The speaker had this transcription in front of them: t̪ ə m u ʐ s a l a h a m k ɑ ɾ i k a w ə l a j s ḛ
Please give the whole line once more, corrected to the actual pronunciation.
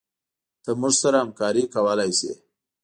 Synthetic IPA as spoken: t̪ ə m u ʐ s a ɾ a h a m k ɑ ɾ i k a w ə l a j s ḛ